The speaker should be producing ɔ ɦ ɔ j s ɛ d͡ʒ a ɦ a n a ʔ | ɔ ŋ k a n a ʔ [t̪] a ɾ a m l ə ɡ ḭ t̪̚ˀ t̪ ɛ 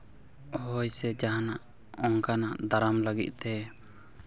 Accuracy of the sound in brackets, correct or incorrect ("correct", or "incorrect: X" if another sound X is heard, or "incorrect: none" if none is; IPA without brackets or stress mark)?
incorrect: d̪